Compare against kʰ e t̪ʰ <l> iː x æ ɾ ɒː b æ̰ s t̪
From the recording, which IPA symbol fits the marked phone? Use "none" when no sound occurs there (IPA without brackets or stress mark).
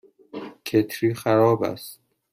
ɾ